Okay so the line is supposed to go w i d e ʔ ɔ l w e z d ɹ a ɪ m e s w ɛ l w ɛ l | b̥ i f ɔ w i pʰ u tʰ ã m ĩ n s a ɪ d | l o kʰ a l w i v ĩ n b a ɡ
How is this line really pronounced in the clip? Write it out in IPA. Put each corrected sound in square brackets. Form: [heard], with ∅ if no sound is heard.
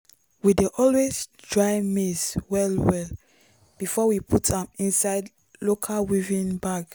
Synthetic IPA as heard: w i d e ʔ ɔ l w e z d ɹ a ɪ m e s w ɛ l w ɛ l | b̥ i f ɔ w i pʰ u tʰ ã m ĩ n s a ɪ d | l o kʰ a l w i v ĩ n b a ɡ